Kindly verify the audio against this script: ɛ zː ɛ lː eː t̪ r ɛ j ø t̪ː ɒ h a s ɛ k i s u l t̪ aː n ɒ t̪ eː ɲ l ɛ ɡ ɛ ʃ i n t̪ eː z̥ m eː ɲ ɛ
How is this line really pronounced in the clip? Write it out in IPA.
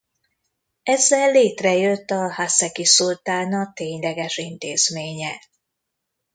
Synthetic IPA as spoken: ɛ zː ɛ lː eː t̪ r ɛ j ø t̪ː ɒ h a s ɛ k i s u l t̪ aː n ɒ t̪ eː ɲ l ɛ ɡ ɛ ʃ i n t̪ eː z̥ m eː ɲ ɛ